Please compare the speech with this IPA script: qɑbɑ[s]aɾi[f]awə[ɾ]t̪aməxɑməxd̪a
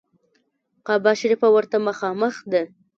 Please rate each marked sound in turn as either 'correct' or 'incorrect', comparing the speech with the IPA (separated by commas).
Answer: incorrect, correct, correct